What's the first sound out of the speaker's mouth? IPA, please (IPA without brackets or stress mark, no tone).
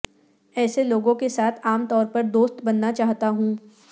ɛː